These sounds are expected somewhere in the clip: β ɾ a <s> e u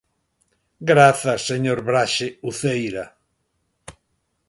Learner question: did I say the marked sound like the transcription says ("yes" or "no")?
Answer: no